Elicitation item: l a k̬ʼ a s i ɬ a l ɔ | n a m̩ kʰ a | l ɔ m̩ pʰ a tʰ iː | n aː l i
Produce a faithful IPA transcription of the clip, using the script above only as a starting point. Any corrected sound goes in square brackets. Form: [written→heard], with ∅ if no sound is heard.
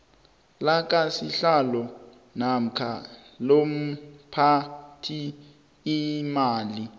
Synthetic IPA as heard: l a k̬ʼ a s i ɬ a l ɔ | n a m̩ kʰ a | l [ɔ→o] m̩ pʰ a tʰ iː | [n→m] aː l i